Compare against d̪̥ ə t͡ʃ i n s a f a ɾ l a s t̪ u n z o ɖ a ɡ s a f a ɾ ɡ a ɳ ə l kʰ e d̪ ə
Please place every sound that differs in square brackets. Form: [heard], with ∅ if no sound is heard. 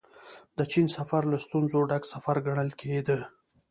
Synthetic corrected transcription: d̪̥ ə t͡ʃ i n s a f a ɾ l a s t̪ u n z o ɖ a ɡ s a f a ɾ ɡ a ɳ ə l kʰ e d̪ ə